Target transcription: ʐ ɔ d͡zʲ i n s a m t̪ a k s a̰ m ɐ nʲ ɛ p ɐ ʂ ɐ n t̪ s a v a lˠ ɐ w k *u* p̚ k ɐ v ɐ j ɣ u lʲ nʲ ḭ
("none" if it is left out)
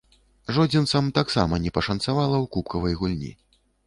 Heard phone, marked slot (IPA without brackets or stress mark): u